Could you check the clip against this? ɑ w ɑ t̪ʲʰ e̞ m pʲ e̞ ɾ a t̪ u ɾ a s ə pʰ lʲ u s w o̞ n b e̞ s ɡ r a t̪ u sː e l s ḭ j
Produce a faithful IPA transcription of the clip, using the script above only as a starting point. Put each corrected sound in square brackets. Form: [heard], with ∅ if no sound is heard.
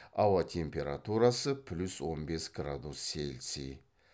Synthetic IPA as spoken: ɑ w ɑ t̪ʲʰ e̞ m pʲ e̞ ɾ a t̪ u ɾ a s ə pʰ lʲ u s w o̞ n b e̞ s ɡ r a [d̪] u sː e l s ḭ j